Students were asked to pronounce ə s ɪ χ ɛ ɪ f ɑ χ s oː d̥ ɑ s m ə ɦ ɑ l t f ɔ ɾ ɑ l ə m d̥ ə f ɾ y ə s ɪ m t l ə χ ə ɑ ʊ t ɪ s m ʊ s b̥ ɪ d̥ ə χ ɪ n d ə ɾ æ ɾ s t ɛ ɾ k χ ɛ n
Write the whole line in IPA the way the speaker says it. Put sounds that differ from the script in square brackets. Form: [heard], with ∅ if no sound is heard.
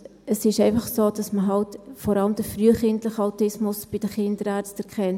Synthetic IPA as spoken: ə s ɪ [ʃ] ɛ ɪ f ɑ χ s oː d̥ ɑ s m ə ɦ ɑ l t f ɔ ɾ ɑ l ə m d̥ ə f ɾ y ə [χ] ɪ [n] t l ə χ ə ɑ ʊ t ɪ s m ʊ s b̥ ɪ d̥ ə χ ɪ n d ə ɾ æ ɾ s t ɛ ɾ k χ ɛ n